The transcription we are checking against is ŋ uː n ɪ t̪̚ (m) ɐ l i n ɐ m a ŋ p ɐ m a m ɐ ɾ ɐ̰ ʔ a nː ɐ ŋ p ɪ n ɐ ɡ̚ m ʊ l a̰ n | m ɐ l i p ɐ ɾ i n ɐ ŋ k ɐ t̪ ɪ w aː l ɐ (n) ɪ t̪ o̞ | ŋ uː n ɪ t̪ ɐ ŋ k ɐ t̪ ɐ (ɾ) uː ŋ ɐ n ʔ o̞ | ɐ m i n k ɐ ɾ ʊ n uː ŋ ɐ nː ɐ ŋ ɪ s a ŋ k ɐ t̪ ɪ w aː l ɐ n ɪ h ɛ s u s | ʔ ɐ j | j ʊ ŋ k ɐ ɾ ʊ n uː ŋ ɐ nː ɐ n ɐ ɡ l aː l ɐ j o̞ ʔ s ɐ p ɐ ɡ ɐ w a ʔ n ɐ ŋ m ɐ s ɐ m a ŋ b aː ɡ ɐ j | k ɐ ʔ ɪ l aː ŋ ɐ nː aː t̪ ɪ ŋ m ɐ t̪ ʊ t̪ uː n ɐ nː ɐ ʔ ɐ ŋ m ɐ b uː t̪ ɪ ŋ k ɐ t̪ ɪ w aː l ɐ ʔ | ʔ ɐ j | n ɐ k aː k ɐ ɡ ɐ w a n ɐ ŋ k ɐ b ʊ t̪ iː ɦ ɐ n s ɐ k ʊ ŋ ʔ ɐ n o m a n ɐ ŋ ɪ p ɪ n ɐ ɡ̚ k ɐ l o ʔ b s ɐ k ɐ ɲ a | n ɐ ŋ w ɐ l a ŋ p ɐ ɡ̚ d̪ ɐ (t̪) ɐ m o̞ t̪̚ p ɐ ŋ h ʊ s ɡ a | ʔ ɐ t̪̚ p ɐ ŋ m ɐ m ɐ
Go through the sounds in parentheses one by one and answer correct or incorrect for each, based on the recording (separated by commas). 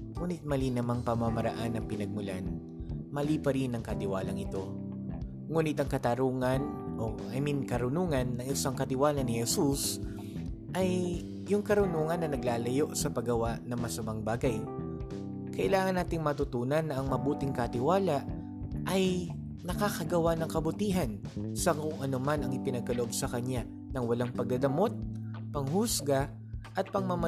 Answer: correct, incorrect, correct, incorrect